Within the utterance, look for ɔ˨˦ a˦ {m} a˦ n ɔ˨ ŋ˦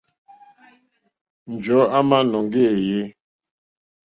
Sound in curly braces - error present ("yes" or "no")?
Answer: no